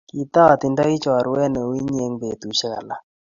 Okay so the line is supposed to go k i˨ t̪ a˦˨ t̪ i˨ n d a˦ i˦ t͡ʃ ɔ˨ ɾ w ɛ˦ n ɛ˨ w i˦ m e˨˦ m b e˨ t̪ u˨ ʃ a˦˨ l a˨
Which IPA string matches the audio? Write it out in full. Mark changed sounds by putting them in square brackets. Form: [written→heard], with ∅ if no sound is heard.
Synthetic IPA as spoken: k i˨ t̪ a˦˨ t̪ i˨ n d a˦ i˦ t͡ʃ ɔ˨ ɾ w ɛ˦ n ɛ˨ w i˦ [m→ɲ] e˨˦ [m→ŋ] b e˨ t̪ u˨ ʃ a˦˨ l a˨

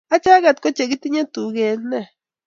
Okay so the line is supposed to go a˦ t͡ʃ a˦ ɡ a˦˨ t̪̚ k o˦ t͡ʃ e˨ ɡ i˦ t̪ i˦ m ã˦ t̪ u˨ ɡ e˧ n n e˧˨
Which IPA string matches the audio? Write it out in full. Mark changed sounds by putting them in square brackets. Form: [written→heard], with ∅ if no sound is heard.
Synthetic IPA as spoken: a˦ t͡ʃ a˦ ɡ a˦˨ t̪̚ k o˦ t͡ʃ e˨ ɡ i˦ t̪ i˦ [m→ɲ] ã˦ t̪ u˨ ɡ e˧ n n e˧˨

